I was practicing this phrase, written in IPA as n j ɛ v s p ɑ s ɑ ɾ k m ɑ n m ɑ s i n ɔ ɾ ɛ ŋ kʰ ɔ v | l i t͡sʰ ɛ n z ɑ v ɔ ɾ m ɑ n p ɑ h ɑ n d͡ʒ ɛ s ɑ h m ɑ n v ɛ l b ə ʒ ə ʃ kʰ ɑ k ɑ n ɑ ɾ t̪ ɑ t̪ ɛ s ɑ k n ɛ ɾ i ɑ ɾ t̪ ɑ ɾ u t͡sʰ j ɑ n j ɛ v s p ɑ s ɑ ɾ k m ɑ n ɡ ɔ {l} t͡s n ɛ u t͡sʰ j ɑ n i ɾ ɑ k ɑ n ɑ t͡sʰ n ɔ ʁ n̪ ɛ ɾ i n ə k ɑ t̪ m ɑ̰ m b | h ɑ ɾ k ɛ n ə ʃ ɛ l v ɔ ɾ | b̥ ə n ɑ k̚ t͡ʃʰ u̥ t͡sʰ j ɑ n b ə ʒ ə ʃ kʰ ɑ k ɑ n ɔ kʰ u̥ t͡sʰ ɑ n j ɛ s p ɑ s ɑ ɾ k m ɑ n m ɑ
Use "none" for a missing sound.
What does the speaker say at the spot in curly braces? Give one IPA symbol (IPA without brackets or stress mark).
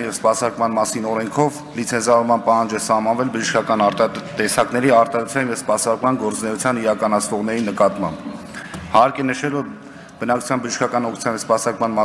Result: ɾ